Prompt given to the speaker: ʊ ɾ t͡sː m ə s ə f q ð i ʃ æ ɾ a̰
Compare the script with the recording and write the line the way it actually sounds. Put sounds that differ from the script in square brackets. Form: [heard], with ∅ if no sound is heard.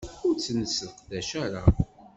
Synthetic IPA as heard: ʊ ɾ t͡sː [n] ə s ə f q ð [æ] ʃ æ ɾ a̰